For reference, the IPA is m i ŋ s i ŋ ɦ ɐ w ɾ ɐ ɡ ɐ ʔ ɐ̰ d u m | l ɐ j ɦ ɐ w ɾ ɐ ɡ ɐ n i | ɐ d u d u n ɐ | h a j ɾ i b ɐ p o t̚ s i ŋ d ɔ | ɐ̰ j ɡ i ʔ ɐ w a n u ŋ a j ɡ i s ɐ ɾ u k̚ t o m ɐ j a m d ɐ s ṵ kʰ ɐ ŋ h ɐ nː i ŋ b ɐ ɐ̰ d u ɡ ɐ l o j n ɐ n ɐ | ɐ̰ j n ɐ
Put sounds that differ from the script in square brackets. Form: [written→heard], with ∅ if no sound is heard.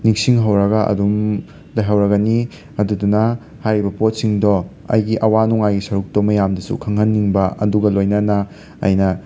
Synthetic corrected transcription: [m→n] i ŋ s i ŋ ɦ ɐ w ɾ ɐ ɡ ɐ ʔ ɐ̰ d u m | l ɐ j ɦ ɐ w ɾ ɐ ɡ ɐ n i | ɐ d u d u n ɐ | h a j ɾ i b ɐ p o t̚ s i ŋ d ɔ | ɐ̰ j ɡ i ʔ ɐ w a n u ŋ a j ɡ i s ɐ ɾ u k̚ t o m ɐ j a m d ɐ s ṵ kʰ ɐ ŋ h ɐ nː i ŋ b ɐ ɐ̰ d u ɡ ɐ l o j n ɐ n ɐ | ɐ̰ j n ɐ